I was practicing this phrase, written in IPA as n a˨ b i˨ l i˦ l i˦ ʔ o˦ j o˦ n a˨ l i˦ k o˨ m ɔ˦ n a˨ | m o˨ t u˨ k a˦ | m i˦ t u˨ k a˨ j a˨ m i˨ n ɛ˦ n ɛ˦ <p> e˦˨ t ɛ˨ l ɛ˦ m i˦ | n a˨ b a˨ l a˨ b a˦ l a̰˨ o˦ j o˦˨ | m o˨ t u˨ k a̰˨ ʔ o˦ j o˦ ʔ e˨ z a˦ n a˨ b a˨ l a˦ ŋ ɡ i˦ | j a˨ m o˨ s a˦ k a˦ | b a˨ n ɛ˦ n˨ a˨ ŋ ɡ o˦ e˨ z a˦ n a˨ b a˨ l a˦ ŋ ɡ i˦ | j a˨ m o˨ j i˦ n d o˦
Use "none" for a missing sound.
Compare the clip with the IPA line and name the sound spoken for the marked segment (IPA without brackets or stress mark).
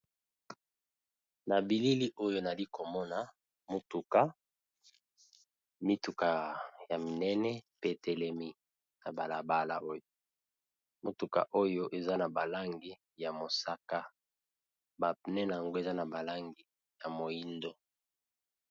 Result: p